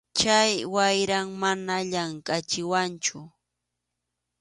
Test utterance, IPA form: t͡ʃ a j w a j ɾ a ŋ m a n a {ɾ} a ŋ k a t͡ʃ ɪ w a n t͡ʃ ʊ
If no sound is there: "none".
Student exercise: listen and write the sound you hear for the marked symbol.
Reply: ʎ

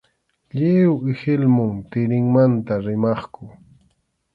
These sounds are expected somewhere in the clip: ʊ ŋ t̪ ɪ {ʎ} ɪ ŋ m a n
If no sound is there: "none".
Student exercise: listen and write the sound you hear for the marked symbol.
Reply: ɾ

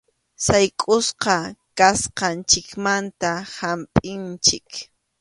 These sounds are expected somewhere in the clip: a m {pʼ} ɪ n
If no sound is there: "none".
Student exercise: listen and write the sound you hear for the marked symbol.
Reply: pʼ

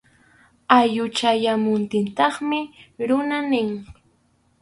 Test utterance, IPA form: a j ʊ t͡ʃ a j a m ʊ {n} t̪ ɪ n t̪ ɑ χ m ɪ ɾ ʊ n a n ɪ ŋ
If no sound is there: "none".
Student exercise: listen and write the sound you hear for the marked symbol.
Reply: n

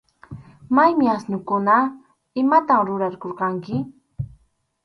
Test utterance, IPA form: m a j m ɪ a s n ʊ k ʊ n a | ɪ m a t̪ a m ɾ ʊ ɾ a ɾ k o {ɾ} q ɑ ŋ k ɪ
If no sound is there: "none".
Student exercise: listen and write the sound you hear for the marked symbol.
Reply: ɾ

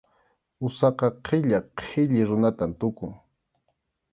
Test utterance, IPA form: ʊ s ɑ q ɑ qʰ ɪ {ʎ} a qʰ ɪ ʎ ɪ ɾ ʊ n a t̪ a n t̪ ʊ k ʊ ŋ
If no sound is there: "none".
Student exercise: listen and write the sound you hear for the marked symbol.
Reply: ʎ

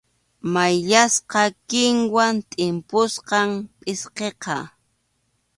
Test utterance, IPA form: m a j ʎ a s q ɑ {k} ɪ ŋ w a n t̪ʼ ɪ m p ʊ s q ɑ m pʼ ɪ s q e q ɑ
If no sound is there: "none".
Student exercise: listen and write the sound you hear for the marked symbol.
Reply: k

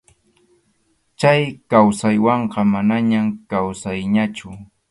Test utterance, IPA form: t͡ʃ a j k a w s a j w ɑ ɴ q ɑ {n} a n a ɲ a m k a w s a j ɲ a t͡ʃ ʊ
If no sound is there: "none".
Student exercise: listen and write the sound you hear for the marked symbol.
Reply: m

